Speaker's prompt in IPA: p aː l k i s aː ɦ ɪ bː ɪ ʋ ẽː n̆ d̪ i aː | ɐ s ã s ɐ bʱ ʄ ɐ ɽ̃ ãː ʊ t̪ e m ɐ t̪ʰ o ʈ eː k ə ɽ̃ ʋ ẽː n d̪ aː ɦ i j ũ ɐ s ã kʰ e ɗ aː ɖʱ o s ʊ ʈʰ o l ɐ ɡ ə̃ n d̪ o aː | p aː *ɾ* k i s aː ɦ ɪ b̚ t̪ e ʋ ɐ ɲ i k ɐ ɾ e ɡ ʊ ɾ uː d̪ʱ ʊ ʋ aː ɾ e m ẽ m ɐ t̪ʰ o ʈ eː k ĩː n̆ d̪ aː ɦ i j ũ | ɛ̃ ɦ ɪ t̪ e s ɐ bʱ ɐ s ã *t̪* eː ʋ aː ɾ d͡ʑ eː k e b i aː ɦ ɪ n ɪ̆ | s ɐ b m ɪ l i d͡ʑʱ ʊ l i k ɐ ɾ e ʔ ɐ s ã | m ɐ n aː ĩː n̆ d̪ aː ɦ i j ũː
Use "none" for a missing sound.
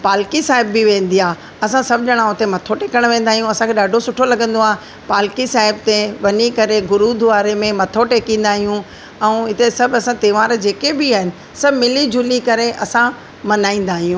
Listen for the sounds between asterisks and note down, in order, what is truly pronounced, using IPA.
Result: l, t̪

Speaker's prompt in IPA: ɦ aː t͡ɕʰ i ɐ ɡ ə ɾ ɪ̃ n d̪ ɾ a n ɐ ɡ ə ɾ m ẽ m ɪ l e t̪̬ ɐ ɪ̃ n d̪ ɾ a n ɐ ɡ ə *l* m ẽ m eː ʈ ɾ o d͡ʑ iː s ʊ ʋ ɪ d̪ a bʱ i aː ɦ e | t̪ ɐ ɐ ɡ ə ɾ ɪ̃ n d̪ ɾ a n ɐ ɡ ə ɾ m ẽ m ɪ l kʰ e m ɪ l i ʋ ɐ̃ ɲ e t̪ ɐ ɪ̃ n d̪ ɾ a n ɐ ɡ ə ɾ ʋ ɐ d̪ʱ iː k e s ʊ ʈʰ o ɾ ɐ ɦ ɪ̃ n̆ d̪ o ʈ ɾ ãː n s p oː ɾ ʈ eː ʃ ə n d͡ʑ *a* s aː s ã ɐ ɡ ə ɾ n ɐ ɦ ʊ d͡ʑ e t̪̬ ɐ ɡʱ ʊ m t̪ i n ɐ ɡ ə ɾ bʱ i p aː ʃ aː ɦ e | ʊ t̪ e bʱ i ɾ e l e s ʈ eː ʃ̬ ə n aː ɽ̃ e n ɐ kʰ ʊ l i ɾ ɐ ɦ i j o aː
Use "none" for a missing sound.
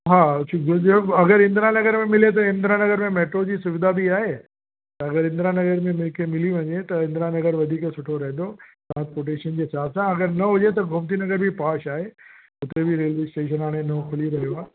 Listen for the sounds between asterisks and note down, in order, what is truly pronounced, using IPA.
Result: ɾ, e

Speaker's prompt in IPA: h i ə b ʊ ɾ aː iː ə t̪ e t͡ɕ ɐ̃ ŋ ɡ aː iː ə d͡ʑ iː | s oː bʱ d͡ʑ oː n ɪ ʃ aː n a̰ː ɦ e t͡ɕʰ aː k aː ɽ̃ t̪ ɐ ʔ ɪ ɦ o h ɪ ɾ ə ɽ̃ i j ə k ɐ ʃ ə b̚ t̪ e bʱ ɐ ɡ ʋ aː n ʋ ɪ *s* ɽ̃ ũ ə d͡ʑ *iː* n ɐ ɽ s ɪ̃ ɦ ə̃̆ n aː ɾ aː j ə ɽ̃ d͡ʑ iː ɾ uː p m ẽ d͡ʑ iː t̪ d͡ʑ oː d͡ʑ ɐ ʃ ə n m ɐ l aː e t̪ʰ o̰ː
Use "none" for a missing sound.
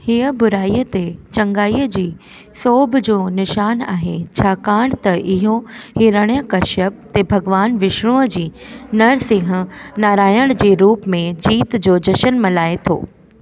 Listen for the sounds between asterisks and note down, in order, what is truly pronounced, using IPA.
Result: ʃ, iː

